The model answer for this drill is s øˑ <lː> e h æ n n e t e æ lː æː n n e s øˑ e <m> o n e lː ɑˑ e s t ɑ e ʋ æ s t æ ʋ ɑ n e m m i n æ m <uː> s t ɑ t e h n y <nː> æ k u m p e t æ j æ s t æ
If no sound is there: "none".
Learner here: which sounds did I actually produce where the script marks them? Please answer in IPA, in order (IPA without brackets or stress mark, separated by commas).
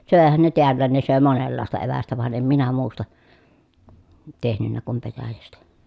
none, m, uː, nː